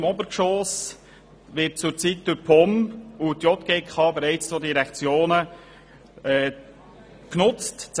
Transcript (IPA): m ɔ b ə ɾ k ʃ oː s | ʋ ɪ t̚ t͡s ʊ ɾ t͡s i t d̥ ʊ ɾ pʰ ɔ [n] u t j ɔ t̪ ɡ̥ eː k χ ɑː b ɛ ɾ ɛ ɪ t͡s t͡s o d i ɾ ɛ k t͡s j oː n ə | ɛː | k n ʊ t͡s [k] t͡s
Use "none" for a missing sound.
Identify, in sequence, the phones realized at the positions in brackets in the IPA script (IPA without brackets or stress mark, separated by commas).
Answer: m, t